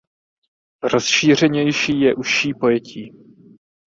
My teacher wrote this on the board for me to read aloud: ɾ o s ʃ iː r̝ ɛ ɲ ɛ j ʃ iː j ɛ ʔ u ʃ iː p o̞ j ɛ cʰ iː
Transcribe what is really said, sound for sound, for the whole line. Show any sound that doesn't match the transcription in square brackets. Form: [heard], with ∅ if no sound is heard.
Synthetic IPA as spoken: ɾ o s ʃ iː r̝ ɛ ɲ ɛ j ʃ iː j ɛ ʔ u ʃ iː p o̞ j ɛ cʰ iː